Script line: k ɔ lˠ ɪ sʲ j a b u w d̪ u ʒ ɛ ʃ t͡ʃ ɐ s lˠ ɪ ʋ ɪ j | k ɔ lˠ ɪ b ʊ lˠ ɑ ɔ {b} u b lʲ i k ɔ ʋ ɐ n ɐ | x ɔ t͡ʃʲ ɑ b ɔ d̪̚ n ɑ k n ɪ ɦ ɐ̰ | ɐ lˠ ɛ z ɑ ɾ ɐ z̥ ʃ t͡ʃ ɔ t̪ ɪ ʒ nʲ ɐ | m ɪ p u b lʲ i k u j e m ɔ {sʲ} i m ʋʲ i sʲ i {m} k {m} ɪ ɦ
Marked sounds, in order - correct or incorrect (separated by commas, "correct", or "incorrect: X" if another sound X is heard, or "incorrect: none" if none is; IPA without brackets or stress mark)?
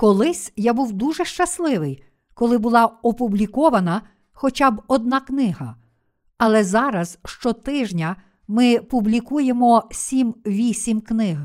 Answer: incorrect: p, correct, correct, incorrect: n